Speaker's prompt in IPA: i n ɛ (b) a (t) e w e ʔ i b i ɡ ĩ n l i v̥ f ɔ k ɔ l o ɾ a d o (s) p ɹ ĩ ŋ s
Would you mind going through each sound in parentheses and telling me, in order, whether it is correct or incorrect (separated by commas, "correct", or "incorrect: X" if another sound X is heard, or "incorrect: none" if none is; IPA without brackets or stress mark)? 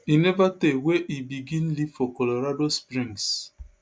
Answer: incorrect: v, correct, correct